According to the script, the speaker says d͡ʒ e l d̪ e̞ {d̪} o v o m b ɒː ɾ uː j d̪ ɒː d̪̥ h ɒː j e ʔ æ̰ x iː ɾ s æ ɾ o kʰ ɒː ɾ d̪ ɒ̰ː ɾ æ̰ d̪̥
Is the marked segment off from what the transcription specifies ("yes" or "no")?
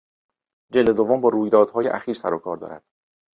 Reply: no